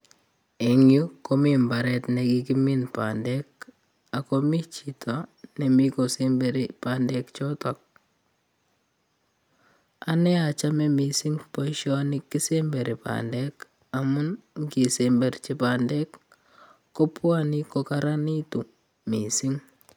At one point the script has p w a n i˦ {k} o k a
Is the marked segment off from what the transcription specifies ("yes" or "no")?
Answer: no